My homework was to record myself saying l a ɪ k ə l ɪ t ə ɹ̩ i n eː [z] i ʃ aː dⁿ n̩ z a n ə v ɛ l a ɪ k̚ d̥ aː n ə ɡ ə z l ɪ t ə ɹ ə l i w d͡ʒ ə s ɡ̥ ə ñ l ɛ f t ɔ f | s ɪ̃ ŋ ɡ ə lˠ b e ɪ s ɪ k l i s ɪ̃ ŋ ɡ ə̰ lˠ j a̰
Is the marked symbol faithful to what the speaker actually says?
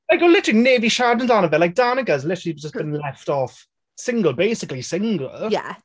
no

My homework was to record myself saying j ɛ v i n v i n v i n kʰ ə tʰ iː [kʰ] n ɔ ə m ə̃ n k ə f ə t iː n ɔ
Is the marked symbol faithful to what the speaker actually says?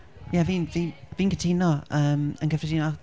no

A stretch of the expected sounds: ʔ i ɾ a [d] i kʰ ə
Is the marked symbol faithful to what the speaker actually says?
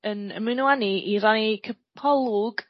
no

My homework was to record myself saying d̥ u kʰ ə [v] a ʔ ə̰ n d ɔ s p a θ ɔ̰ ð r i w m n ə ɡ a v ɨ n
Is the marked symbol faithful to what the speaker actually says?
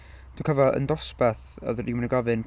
yes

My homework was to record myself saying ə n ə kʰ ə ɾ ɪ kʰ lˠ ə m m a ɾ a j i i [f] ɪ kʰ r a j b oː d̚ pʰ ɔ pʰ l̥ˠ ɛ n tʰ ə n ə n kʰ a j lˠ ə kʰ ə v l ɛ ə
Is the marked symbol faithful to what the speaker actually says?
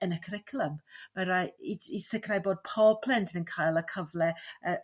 no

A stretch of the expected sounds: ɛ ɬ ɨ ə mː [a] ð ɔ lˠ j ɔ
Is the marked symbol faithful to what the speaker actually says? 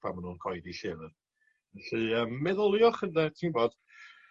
no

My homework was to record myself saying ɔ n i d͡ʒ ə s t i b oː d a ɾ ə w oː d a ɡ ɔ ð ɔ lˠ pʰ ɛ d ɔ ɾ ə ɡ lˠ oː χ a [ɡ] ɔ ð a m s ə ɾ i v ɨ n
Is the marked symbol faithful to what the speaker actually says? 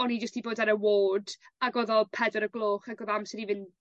yes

